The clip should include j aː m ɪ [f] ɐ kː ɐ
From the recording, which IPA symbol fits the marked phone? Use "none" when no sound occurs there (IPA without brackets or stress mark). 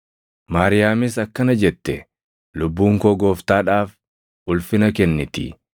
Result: s